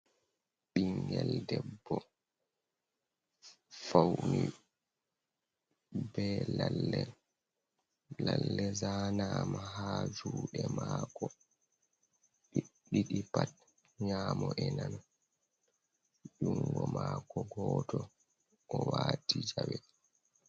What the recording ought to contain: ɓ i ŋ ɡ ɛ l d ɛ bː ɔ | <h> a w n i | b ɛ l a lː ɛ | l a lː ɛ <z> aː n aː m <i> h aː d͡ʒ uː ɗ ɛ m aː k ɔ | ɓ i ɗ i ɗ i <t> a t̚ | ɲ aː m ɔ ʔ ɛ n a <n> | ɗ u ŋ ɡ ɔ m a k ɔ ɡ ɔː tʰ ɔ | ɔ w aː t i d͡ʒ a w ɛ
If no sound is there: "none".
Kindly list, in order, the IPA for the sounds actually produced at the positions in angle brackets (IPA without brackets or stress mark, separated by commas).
f, z, a, p, n